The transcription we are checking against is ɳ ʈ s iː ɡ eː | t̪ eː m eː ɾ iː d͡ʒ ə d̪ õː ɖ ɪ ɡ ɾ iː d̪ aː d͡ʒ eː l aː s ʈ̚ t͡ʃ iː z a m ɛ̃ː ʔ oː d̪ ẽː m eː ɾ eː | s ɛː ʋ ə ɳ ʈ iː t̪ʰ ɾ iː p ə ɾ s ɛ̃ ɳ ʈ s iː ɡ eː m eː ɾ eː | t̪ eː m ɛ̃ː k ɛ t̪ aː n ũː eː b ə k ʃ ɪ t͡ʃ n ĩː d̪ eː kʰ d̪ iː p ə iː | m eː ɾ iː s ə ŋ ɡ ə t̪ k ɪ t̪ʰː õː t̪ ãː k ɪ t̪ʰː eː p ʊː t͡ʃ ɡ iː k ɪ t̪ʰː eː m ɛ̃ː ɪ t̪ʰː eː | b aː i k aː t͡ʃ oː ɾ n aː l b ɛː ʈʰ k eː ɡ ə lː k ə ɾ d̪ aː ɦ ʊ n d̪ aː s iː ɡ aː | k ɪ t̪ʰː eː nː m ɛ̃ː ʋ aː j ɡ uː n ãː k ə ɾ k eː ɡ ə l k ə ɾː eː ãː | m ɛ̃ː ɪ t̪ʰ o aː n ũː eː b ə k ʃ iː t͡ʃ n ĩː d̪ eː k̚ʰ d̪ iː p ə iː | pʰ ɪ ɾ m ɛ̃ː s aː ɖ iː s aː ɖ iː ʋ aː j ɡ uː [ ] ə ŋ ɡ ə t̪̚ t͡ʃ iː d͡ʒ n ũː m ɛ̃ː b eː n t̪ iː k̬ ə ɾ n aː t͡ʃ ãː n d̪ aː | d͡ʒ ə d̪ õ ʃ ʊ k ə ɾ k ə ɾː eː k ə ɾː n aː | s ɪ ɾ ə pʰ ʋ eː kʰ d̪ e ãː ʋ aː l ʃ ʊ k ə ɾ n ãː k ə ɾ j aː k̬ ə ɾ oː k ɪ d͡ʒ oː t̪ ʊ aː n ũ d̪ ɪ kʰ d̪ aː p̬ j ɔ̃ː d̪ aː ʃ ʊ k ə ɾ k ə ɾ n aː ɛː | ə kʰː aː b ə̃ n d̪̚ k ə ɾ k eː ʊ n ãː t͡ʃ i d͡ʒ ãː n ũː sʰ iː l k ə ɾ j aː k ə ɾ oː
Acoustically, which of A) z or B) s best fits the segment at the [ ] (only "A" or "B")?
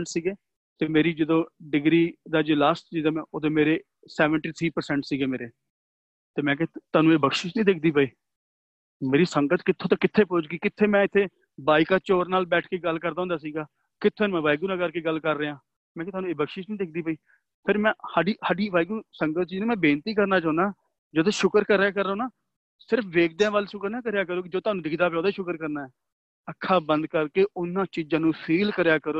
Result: B